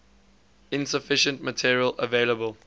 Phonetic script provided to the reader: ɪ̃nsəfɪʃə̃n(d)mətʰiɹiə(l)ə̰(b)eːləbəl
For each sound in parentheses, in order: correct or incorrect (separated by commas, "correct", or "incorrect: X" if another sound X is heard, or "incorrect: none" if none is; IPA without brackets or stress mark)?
incorrect: t, correct, incorrect: v